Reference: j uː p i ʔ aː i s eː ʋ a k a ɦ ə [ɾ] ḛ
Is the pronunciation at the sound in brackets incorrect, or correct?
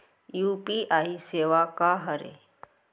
correct